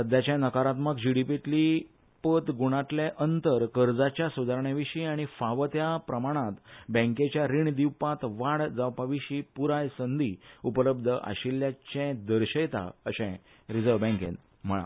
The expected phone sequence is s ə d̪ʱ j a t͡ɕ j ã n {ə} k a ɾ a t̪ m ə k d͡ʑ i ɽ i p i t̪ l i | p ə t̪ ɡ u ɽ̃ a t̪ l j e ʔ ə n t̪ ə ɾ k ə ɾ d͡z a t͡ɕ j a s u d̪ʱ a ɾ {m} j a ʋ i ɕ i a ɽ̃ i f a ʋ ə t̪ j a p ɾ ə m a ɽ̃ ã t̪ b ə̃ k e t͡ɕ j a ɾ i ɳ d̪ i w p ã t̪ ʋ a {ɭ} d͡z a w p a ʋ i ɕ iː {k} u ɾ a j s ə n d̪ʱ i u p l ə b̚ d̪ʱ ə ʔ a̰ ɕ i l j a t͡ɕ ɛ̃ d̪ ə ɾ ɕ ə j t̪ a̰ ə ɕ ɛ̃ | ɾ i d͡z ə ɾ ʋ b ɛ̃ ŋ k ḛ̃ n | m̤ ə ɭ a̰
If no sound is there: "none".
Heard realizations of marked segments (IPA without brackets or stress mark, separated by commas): ə, ɳ, ɽ, p